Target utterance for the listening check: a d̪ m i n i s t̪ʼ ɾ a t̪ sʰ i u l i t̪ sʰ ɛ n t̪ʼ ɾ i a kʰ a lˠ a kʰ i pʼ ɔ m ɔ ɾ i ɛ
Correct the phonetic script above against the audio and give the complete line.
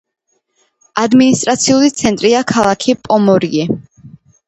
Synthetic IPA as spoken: a d̪ m i n i s t̪ʼ ɾ a t̪ sʰ i u l i t̪ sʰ ɛ n t̪ʼ ɾ i a kʰ a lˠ a kʰ i pʼ ɔ m ɔ ɾ i ɛ